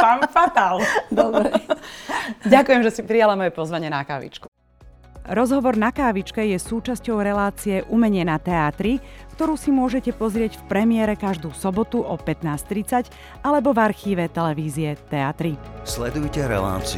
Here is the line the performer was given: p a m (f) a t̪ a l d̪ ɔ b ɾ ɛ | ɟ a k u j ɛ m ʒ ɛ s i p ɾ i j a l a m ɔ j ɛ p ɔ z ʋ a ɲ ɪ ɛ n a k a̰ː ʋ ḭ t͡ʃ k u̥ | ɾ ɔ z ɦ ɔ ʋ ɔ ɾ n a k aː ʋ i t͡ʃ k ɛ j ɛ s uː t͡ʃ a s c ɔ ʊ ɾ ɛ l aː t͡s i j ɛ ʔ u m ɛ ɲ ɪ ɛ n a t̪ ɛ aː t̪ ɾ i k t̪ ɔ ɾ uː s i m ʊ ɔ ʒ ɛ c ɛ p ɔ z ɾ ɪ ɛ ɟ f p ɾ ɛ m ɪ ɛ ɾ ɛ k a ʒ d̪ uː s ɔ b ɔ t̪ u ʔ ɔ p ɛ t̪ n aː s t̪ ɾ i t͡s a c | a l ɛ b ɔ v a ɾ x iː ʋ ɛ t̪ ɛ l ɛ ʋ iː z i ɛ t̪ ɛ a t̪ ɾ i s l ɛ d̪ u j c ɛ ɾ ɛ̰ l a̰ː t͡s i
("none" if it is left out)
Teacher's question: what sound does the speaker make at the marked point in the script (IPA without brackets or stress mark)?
f